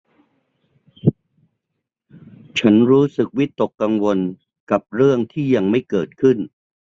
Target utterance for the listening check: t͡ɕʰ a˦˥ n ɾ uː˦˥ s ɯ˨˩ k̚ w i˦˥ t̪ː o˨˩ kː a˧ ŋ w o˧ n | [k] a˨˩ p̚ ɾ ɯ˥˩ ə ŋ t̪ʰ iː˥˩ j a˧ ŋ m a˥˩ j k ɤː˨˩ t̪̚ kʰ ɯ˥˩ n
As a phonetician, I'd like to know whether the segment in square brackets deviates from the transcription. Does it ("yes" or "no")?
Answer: no